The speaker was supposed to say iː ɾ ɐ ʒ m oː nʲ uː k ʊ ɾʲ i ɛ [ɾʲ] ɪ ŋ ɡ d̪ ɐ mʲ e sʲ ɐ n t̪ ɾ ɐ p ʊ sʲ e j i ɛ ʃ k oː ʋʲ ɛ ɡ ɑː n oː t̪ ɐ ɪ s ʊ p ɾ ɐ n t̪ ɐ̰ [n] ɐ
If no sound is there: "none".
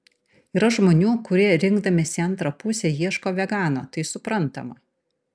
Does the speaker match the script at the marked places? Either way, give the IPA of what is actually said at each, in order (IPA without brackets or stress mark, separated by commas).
ɾʲ, m